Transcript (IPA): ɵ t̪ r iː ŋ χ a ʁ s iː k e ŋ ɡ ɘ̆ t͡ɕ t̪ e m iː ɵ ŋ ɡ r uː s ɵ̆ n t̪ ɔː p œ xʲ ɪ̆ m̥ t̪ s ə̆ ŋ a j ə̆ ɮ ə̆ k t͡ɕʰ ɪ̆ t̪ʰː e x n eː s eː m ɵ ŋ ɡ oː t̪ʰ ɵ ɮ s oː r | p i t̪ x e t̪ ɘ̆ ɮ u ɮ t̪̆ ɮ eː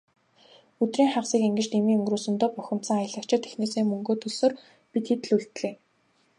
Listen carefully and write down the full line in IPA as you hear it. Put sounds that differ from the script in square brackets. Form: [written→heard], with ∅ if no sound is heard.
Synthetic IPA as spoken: ɵ t̪ r iː ŋ χ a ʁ s iː k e ŋ ɡ ɘ̆ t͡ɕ t̪ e m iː ɵ ŋ ɡ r uː s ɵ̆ n t̪ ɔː p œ xʲ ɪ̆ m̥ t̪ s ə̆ ŋ a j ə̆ ɮ ə̆ k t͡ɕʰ ɪ̆ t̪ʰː e x n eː s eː m ɵ ŋ ɡ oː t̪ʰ ɵ ɮ s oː r | p i t̪ x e t̪ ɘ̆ ɮ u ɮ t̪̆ ɮ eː